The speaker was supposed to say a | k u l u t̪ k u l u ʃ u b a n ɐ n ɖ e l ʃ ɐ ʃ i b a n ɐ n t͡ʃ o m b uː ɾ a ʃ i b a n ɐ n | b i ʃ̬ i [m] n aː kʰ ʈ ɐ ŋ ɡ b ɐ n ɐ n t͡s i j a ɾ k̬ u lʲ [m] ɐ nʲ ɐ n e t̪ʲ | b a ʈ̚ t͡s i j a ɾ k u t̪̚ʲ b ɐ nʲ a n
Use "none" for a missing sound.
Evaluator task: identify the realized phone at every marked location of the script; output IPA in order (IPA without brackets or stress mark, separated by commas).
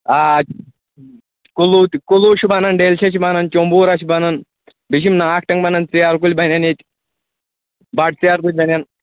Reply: m, b